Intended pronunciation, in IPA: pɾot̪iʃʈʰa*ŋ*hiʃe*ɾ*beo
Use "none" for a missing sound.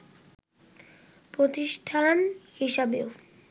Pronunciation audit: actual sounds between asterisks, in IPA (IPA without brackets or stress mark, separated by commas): n, none